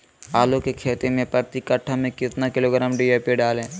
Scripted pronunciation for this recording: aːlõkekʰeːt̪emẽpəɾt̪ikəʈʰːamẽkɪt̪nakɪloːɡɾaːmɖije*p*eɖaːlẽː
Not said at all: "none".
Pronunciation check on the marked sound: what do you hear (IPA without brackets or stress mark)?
p